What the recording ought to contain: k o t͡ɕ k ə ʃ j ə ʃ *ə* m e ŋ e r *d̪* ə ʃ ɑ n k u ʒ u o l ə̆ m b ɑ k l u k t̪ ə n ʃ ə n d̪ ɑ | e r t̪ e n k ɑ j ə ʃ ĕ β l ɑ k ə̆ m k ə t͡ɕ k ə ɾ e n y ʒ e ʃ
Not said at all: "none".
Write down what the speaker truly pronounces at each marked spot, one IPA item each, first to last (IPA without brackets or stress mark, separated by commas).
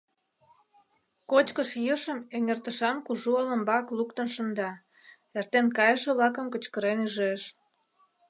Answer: ə, t̪